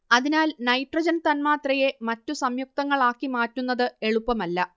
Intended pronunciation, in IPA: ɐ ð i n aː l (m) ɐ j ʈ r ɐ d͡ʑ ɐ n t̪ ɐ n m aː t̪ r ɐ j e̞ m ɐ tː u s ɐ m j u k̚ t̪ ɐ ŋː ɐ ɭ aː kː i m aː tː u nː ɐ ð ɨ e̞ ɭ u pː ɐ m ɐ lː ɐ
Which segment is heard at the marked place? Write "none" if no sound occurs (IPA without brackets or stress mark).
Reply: n